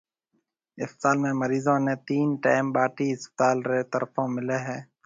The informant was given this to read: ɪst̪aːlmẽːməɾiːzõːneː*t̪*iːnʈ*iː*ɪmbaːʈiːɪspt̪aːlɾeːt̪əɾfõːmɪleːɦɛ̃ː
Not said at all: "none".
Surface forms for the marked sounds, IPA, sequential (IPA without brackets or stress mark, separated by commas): t̪, aː